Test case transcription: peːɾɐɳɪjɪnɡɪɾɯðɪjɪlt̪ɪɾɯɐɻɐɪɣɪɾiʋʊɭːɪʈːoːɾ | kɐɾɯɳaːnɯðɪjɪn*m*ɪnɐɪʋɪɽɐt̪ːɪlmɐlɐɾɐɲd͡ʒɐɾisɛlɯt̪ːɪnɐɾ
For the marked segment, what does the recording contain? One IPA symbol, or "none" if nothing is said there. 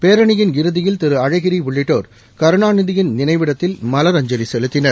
n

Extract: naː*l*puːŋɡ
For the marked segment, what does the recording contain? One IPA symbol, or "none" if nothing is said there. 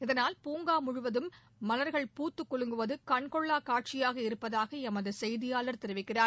l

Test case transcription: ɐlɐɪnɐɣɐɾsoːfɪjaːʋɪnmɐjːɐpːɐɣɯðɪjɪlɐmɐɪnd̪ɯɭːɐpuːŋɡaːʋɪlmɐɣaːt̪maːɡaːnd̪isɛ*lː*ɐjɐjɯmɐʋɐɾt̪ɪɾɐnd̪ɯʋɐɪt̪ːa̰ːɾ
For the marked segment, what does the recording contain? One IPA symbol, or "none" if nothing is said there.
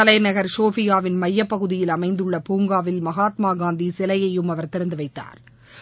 l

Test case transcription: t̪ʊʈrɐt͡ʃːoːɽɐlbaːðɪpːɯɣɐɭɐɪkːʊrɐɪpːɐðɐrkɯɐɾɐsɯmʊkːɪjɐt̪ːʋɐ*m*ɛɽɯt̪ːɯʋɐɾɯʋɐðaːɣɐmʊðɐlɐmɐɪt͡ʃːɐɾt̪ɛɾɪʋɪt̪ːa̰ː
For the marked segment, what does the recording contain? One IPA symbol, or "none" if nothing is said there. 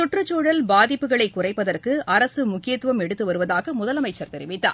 m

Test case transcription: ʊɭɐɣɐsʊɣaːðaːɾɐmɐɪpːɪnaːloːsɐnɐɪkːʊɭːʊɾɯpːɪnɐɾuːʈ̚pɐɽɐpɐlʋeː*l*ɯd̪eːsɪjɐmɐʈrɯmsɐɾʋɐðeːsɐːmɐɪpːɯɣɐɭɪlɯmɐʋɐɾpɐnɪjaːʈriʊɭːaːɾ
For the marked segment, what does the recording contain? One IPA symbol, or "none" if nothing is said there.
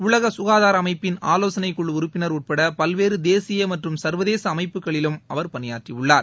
ɾ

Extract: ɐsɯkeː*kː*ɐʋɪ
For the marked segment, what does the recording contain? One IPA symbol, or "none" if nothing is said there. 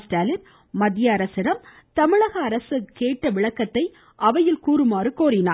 ʈː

